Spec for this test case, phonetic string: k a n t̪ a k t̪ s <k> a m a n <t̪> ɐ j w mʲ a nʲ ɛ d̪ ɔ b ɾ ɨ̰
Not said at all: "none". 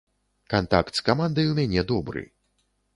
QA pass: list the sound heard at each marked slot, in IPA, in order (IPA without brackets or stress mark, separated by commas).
k, d̪